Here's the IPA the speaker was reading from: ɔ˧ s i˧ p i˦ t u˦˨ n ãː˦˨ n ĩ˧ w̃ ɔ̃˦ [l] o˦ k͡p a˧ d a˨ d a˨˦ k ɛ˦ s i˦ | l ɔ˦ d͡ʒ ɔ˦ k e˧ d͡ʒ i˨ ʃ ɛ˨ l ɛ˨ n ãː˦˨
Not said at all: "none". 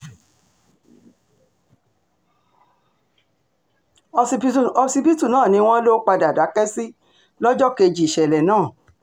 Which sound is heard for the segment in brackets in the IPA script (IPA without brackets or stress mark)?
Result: l